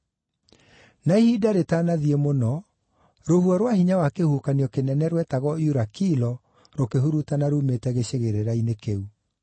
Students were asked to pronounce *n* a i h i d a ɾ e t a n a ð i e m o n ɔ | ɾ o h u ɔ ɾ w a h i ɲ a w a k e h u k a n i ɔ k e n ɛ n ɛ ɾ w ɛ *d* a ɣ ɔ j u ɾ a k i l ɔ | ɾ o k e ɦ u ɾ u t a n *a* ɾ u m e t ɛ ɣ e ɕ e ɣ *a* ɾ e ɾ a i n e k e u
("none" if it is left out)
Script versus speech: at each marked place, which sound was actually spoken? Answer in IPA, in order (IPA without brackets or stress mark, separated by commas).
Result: n, t, a, e